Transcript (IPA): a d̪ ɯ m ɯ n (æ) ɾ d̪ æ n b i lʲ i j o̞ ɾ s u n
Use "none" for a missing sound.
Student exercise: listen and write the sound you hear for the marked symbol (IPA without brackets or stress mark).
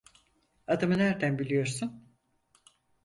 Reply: æ